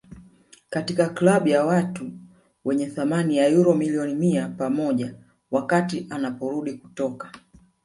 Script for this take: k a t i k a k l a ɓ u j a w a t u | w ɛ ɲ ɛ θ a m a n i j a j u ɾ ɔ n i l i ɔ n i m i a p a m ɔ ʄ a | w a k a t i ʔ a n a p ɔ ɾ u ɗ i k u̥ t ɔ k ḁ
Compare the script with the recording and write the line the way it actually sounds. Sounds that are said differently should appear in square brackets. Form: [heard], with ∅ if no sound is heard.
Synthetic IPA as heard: k a t i k a k l a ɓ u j a w a t u | w ɛ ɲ ɛ θ a m a n i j a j u ɾ ɔ [m] i l i ɔ n i m i a p a m ɔ ʄ a | w a k a t i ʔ a n a p ɔ ɾ u ɗ i k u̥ t ɔ k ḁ